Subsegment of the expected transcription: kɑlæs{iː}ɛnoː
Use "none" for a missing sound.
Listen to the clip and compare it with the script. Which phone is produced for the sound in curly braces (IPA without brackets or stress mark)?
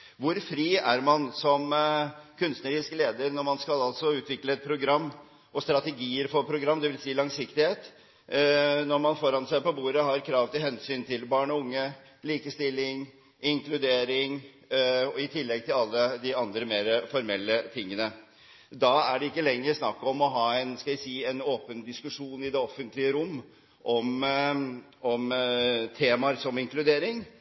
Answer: iː